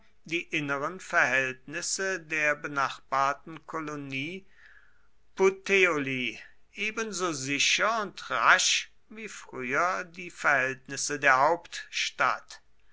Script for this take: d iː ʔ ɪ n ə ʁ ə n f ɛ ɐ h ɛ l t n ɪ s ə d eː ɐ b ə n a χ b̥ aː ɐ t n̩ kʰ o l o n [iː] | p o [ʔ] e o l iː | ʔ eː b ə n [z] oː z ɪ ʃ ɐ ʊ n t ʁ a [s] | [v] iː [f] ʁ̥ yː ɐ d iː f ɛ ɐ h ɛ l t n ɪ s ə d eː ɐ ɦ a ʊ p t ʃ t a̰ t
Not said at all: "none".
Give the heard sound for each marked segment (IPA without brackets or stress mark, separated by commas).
iː, t, z, ʃ, v, f